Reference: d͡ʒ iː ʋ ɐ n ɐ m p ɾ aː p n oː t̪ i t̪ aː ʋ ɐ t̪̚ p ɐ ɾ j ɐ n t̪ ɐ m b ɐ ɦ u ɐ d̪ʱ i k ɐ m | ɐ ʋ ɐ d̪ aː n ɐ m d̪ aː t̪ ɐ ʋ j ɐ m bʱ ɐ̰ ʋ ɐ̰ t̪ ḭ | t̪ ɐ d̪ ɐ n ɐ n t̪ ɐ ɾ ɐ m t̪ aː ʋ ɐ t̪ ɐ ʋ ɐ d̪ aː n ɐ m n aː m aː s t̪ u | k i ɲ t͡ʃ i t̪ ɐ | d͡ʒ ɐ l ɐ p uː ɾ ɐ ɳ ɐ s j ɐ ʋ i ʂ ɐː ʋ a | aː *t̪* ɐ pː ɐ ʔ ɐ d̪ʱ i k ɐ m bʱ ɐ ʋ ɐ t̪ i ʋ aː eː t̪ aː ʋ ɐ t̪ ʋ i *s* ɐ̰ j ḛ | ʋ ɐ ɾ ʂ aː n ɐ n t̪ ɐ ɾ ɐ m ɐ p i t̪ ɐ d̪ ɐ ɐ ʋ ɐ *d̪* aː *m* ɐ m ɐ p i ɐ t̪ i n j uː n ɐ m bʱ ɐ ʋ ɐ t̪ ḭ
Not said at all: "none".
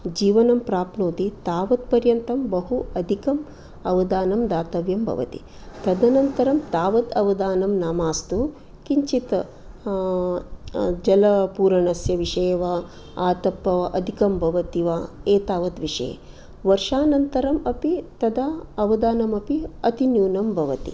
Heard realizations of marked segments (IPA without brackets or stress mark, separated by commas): t̪, ʂ, d̪, n